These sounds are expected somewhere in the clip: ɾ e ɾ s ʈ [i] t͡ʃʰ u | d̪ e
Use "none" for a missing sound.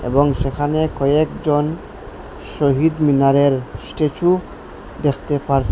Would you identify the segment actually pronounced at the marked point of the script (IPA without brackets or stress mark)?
e